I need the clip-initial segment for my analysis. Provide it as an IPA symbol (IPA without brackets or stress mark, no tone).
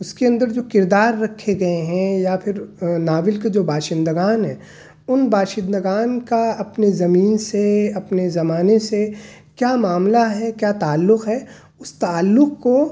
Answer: ʊ